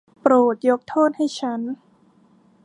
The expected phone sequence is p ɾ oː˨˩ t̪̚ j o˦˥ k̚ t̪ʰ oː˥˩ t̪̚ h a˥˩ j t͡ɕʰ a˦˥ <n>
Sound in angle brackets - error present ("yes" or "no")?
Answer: no